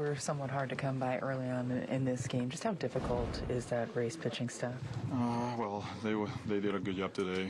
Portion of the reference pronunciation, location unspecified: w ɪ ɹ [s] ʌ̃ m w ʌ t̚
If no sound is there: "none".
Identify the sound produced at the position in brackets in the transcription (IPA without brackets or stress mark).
s